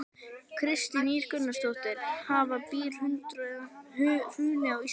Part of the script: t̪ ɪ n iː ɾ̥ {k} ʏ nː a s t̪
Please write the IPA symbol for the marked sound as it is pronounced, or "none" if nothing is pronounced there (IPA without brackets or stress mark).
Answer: k